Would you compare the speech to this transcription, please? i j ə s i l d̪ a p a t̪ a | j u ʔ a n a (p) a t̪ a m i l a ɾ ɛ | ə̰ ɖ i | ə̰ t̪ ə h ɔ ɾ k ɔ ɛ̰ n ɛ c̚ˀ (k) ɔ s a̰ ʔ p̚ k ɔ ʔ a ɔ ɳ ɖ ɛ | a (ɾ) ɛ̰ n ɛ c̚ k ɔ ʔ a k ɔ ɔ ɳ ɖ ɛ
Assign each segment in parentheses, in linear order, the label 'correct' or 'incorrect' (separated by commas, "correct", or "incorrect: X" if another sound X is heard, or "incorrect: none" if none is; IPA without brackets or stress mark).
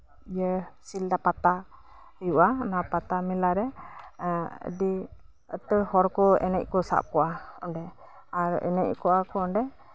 correct, correct, correct